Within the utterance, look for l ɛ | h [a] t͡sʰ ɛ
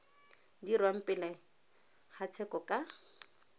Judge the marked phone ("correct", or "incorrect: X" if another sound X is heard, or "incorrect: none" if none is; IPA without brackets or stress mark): correct